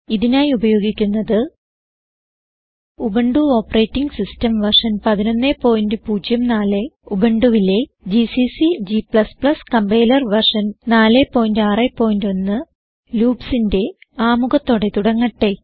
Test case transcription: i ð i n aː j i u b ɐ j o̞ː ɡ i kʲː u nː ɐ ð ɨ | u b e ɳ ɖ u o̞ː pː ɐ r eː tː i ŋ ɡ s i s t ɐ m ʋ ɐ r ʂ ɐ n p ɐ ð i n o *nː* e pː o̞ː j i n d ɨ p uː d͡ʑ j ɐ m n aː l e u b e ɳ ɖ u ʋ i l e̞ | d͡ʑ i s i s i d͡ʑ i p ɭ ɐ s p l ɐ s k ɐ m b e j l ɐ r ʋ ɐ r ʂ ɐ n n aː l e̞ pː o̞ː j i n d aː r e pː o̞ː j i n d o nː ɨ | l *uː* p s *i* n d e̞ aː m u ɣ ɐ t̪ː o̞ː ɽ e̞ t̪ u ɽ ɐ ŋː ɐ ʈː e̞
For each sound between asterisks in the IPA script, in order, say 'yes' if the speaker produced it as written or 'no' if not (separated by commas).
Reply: yes, yes, yes